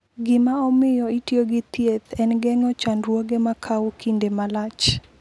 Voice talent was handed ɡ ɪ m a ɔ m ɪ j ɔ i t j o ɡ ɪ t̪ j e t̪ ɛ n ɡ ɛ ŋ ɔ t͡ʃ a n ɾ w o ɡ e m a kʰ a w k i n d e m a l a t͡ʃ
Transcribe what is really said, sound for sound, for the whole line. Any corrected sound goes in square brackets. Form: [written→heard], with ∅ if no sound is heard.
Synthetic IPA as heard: ɡ ɪ m a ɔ m ɪ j ɔ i t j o ɡ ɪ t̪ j e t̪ ɛ n ɡ ɛ ŋ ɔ t͡ʃ a n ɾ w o ɡ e m a kʰ a w k i n d e m a l a t͡ʃ